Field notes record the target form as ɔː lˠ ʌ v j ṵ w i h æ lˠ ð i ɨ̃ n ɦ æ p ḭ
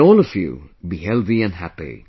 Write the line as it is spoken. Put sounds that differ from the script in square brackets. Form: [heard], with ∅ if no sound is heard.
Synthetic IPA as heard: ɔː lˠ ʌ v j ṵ [b] i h [ɛ] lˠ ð i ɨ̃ n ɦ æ p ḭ